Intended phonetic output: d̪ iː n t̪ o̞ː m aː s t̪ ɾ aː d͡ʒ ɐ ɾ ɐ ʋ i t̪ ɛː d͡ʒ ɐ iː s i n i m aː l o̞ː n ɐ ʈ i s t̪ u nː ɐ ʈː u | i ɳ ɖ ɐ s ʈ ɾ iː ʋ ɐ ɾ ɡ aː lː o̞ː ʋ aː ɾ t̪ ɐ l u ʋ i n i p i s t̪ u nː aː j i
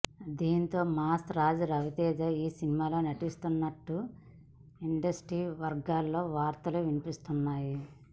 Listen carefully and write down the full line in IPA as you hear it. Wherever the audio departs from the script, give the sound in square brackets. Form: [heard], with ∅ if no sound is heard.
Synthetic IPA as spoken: d̪ iː n t̪ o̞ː m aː s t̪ ɾ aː d͡ʒ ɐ ɾ ɐ ʋ i t̪ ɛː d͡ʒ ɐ iː s i n i m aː l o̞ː n ɐ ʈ i s t̪ u nː ɐ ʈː u | i ɳ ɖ ɐ s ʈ ɾ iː ʋ ɐ ɾ ɡ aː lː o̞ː ʋ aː ɾ t̪ ɐ l u ʋ i n i p i s t̪ u nː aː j i